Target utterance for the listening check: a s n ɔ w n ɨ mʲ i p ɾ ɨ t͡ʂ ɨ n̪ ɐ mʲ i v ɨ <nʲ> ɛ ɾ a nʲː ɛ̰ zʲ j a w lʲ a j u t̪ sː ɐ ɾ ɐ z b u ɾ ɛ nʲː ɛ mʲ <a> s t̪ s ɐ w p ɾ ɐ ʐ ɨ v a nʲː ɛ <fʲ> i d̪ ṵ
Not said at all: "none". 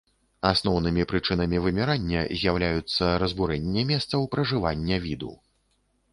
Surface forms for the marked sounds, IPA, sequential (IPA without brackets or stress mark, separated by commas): mʲ, ɛ, vʲ